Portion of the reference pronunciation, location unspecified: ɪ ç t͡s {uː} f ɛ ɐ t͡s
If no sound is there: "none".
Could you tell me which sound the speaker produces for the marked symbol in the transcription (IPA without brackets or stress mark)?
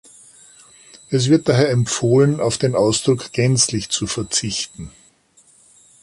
u